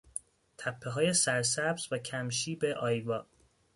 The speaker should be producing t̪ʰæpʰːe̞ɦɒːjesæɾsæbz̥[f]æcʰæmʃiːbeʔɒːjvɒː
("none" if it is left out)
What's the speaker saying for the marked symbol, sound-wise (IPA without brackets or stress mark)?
v